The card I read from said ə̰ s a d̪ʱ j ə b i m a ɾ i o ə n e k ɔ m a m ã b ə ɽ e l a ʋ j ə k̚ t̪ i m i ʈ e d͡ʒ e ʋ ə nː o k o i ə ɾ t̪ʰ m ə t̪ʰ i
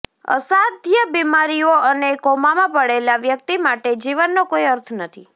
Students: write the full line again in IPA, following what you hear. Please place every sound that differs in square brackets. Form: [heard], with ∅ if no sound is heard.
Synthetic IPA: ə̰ s a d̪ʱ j ə b i m a ɾ i o ə n e k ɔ m a m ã [p] ə ɽ e l a ʋ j ə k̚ t̪ i m [a] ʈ e d͡ʒ [i] ʋ ə nː o k o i ə ɾ t̪ʰ [n] ə t̪ʰ i